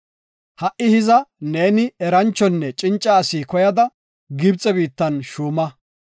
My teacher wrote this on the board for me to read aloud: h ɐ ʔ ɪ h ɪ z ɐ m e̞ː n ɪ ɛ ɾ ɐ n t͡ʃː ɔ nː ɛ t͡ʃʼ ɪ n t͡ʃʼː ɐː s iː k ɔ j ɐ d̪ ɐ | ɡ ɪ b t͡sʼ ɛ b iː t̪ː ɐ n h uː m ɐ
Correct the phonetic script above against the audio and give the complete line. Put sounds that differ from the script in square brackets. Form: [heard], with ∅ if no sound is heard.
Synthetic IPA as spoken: h ɐ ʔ ɪ h ɪ z ɐ [n] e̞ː n ɪ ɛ ɾ ɐ n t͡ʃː ɔ nː ɛ t͡ʃʼ ɪ n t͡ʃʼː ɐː s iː k ɔ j ɐ d̪ ɐ | ɡ ɪ b t͡sʼ ɛ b iː t̪ː ɐ n [ʃ] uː m ɐ